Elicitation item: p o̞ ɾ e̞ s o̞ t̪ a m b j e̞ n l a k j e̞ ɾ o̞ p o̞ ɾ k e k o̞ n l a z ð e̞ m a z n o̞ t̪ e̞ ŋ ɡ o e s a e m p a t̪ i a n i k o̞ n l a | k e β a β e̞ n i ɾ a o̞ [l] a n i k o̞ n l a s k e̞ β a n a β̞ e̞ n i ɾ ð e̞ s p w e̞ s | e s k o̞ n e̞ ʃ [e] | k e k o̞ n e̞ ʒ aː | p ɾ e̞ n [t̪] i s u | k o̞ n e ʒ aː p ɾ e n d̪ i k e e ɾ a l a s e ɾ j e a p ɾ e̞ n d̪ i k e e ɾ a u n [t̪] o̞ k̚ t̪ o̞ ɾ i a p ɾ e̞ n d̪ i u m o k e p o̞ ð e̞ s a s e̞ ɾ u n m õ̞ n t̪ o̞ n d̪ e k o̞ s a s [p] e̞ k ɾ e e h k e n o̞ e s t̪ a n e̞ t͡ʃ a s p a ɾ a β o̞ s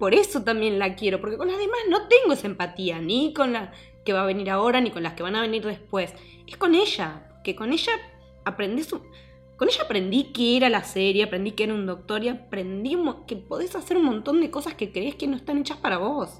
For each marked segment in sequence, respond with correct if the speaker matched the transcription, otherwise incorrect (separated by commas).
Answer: incorrect, incorrect, incorrect, incorrect, incorrect